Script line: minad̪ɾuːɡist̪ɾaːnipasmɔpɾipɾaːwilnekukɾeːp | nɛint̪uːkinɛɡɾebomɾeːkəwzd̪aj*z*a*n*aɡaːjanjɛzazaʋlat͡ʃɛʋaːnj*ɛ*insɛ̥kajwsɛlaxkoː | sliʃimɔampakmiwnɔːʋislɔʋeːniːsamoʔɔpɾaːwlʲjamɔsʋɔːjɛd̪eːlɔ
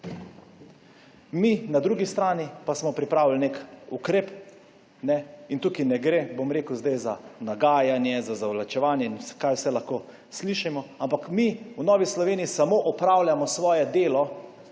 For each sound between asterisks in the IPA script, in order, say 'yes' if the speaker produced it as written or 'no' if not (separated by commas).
yes, yes, yes